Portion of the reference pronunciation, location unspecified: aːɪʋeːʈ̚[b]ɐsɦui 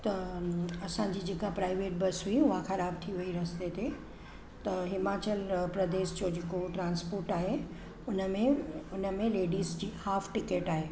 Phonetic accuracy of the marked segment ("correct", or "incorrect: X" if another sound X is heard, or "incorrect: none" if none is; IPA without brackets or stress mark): correct